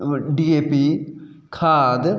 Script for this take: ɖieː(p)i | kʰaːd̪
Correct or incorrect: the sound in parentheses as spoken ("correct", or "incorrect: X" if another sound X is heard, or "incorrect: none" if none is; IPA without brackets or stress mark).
correct